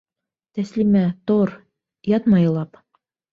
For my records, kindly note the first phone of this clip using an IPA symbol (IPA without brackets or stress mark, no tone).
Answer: t̪